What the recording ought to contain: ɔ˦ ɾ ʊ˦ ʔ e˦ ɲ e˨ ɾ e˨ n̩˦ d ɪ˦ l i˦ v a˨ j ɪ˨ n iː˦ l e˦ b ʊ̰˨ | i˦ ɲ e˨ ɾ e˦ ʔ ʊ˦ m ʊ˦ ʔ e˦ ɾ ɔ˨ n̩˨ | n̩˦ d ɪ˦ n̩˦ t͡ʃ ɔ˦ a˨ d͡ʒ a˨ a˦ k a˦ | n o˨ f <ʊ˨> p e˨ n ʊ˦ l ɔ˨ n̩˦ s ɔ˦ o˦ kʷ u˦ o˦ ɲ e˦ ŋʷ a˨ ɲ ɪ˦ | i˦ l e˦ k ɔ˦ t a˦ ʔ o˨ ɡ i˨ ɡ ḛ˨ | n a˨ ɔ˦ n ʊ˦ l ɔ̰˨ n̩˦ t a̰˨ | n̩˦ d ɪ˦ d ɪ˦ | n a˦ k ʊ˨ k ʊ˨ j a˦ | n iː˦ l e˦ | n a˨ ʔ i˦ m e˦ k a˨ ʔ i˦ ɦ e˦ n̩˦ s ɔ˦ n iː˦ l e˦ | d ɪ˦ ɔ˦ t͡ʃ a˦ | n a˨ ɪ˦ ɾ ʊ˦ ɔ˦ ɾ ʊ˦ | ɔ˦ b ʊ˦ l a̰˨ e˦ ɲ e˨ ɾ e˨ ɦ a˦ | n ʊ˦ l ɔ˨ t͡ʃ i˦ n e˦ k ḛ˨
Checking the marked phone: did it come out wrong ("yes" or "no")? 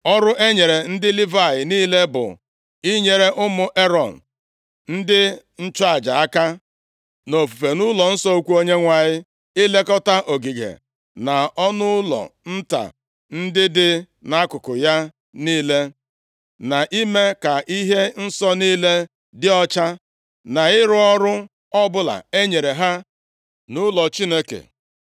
yes